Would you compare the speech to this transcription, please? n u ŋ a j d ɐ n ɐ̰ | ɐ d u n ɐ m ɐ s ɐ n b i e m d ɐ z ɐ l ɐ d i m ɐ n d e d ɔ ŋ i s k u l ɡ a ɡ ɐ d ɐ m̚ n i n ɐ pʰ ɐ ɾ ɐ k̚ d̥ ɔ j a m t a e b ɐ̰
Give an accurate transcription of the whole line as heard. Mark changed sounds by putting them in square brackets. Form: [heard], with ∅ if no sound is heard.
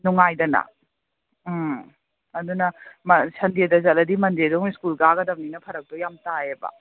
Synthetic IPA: n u ŋ a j d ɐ n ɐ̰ | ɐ d u n ɐ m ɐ s ɐ n [d] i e [∅] d ɐ z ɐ l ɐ d i m ɐ n d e d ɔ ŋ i s k u l ɡ a ɡ ɐ d ɐ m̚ n i n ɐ pʰ ɐ ɾ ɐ k̚ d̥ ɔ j a m t a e b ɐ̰